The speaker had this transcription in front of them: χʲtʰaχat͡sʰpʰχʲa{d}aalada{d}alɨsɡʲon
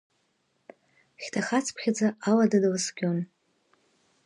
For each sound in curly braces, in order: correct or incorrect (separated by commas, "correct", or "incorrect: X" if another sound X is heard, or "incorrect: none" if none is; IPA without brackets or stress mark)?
incorrect: d͡z, correct